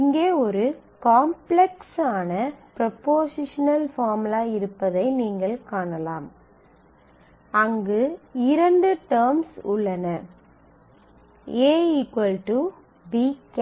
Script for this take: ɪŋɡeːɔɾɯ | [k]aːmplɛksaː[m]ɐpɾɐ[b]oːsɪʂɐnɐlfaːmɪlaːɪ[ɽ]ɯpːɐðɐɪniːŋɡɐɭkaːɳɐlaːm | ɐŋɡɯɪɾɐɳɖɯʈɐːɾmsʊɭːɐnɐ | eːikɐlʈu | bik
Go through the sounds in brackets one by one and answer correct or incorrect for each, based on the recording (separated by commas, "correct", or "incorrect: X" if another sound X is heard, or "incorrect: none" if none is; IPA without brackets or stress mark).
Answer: correct, incorrect: n, incorrect: p, incorrect: ɾ